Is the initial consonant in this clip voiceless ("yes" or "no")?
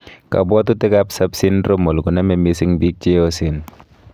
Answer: yes